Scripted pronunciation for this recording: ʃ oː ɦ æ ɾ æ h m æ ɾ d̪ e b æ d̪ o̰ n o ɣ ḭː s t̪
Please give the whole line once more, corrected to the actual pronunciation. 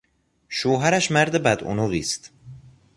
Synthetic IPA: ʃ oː ɦ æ ɾ æ ʃ m æ ɾ d̪ e b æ d̪ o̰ n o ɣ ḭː s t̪